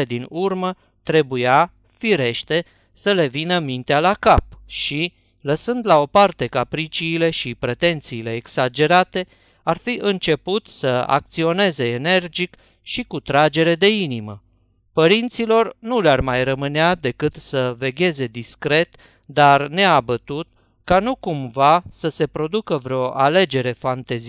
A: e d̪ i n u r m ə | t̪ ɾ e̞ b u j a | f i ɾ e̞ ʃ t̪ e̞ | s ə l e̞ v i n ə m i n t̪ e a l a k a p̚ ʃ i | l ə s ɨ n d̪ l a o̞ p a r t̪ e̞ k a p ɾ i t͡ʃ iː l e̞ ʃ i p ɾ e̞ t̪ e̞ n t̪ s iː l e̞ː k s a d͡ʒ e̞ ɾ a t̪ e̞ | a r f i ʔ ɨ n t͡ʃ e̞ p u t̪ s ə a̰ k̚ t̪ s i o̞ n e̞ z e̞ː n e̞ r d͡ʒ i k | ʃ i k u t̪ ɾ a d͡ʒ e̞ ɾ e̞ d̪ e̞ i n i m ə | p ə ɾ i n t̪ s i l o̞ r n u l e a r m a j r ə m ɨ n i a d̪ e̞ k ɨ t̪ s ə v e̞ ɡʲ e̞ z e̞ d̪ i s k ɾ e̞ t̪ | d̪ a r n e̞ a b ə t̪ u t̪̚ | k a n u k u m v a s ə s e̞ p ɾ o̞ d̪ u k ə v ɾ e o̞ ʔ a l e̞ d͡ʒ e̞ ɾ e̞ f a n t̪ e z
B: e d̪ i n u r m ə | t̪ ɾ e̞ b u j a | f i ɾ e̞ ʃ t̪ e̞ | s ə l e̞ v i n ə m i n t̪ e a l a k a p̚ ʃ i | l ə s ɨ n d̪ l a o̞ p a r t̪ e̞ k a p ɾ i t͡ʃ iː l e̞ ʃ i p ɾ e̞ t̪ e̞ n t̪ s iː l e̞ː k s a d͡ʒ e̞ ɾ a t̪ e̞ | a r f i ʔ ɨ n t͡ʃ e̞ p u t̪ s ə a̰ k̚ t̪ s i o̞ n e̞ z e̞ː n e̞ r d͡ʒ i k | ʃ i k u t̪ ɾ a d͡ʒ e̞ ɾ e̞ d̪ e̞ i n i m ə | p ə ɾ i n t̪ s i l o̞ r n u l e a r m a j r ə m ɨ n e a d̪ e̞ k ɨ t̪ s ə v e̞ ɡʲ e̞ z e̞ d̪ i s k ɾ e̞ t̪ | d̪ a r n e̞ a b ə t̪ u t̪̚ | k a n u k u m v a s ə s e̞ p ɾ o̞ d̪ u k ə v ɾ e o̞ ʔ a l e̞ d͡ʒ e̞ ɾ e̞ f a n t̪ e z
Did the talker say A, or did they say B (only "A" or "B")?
B